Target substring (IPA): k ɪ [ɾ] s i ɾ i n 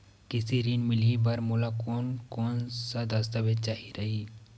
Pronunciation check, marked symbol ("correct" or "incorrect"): incorrect